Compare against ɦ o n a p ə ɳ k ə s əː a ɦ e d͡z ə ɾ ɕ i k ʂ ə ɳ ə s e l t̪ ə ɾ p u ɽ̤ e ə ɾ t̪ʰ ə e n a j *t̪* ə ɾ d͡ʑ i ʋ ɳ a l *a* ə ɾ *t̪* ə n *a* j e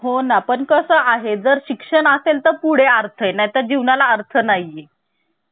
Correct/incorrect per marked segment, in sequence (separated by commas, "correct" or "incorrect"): correct, correct, incorrect, correct